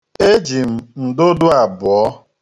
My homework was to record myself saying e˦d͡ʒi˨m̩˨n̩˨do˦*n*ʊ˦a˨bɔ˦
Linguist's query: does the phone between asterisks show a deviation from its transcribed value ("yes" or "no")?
yes